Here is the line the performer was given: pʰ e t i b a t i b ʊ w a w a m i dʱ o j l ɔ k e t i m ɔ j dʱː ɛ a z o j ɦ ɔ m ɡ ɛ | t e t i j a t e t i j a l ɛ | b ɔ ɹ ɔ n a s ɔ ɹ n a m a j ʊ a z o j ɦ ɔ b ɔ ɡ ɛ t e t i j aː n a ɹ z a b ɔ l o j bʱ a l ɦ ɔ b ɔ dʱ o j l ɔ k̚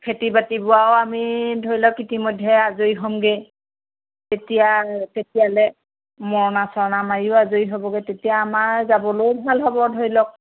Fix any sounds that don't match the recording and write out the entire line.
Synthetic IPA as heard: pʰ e t i b a t i b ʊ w a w a m i dʱ o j l ɔ k i t i m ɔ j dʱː ɛ a z o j ɦ ɔ m ɡ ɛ | t e t i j a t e t i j a l ɛ | m ɔ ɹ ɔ n a s ɔ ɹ n a m a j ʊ a z o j ɦ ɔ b ɔ ɡ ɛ t e t i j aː m a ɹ z a b ɔ l o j bʱ a l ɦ ɔ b ɔ dʱ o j l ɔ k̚